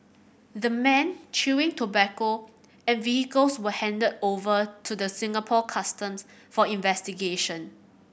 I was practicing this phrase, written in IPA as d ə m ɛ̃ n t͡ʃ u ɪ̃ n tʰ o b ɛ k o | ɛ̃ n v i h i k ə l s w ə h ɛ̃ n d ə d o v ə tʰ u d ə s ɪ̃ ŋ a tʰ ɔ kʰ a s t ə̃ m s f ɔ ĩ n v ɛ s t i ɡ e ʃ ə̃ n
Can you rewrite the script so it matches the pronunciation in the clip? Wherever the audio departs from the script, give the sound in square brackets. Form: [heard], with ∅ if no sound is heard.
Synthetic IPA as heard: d ə m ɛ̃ n t͡ʃ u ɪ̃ [ŋ] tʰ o b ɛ k o | ɛ̃ n v i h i k ə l s w ə h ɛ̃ n d ə d o v ə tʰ u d ə s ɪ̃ ŋ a [pʰ] ɔ kʰ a s t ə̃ m s f ɔ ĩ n v ɛ s t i ɡ e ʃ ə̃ n

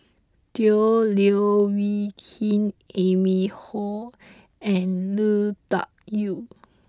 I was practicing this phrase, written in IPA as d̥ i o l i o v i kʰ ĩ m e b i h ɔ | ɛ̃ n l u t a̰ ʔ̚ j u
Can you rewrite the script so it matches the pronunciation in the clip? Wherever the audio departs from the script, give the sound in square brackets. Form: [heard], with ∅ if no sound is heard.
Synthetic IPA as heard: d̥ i o l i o [w] i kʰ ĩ [n] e [m] i h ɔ | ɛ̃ n l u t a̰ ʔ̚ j u

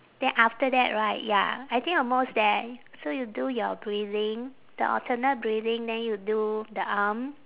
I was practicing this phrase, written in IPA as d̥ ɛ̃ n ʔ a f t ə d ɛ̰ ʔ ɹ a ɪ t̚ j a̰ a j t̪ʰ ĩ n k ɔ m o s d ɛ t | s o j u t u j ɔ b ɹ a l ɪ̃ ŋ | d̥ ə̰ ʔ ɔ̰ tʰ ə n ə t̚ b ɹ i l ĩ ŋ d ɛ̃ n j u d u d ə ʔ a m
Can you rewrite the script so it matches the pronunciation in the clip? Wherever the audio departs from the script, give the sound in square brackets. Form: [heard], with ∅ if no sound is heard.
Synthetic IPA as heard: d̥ ɛ̃ n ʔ a f t ə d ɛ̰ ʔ ɹ a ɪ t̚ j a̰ a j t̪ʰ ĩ [ŋ] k ɔ m o s d ɛ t | s o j u [d] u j ɔ b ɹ [i] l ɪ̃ ŋ | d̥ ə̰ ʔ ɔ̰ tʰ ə n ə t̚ b ɹ i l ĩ ŋ d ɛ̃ n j u d u d ə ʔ a m

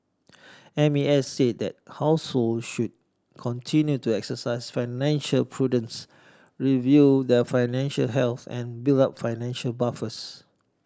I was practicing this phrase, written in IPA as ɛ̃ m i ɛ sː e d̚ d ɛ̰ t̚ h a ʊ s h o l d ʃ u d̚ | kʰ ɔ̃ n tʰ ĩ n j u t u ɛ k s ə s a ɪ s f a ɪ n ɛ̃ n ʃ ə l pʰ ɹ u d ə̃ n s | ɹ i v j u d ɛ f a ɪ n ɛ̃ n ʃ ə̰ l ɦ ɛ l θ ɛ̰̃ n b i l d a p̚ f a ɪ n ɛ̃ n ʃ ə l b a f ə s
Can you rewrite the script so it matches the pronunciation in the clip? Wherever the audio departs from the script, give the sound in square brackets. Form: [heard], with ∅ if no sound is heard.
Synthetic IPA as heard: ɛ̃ m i ɛ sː e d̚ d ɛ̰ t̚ h a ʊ s h o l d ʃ u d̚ | kʰ ɔ̃ n tʰ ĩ n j u t u ɛ k s ə s a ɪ s f a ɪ n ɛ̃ n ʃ ə l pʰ ɹ u d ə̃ n s | ɹ i v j u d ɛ f a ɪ n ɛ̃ n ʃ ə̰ l ɦ ɛ l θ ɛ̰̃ n b i l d a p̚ f a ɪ n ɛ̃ n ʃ ə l b a f ə s

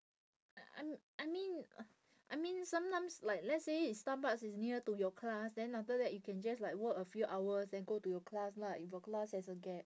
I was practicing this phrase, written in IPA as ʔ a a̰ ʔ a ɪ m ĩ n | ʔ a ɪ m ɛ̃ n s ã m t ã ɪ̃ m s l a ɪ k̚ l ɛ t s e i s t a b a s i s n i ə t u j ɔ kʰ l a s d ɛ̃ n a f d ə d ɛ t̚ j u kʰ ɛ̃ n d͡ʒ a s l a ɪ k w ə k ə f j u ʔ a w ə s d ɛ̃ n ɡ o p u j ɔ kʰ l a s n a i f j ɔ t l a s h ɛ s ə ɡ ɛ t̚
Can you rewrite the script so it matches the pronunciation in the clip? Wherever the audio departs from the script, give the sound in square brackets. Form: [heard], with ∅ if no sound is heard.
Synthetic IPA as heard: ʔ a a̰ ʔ a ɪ m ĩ n | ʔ a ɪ m [ĩ] n s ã m t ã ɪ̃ m s l a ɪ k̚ l ɛ t s e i s t a b a s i s n i ə t u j ɔ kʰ l a s d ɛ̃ n a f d ə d ɛ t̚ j u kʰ ɛ̃ n d͡ʒ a s l a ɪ k w ə k ə f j u ʔ a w ə s d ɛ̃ n ɡ o [t] u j ɔ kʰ l a s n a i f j ɔ [k] l a s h ɛ s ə ɡ ɛ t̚

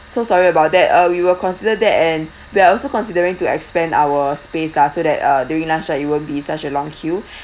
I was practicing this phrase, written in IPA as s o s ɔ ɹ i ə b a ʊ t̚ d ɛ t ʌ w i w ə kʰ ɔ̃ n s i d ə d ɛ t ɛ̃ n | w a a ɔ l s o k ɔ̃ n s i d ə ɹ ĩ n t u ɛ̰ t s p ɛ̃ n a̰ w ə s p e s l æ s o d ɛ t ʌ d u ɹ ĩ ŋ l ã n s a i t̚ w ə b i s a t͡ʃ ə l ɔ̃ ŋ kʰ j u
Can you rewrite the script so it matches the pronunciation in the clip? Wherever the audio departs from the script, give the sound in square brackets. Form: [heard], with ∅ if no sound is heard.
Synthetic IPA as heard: s o s ɔ ɹ i ə b a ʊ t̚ d ɛ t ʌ w i w ə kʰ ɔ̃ n s i d ə d ɛ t ɛ̃ n | w [i] a ɔ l s o k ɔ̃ n s i d ə ɹ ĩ [ŋ] t u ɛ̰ [k] s p ɛ̃ n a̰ w ə s p e s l [a] s o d ɛ t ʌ d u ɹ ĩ ŋ l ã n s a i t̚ w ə b i s a t͡ʃ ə l ɔ̃ ŋ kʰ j u

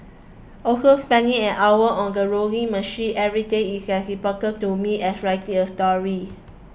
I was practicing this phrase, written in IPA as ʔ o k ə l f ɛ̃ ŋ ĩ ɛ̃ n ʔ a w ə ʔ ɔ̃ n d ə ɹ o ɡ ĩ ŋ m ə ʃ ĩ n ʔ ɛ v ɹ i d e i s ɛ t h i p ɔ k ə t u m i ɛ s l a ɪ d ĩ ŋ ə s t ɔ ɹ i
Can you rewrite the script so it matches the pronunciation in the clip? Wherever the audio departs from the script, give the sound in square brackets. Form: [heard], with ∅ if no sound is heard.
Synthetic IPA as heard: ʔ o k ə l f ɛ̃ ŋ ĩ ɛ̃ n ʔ a w ə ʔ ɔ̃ n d ə ɹ o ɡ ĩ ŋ m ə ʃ ĩ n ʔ ɛ v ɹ i d e i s ɛ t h i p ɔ k ə t u m i ɛ s [ɹ] a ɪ [t] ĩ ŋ ə s t ɔ ɹ i

